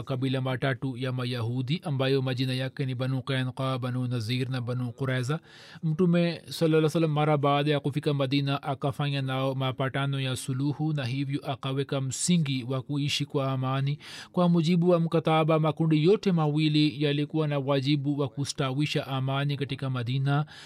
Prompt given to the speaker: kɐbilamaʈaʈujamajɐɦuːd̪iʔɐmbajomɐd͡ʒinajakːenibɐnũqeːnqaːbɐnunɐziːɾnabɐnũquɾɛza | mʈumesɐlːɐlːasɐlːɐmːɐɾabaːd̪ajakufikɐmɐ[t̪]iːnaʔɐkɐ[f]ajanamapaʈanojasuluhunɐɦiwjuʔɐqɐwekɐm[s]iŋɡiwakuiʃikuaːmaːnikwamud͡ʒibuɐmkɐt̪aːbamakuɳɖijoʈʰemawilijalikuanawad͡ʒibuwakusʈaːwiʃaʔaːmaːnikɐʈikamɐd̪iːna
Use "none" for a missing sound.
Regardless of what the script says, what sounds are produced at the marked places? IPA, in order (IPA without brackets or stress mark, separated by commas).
d̪, f, s